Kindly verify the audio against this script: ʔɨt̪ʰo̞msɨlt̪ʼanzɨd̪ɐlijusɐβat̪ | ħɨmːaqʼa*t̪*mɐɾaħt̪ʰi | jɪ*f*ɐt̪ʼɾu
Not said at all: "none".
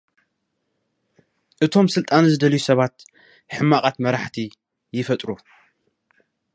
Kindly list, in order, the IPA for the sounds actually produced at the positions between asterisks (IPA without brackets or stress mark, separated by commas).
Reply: t̪, f